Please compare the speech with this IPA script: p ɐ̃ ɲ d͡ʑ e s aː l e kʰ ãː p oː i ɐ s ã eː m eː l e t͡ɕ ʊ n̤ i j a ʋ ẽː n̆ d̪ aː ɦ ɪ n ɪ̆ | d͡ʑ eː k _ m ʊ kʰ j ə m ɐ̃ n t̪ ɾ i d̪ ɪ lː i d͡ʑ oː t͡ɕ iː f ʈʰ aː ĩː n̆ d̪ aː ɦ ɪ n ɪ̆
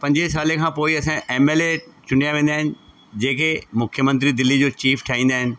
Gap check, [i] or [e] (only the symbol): e